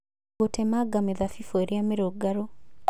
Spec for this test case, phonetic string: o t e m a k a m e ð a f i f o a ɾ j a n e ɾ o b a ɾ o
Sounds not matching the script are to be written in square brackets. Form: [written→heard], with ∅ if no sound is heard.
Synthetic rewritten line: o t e m a [k→ɡ] a m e ð a f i f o [a→e] ɾ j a [n→m] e ɾ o [b→ɡ] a ɾ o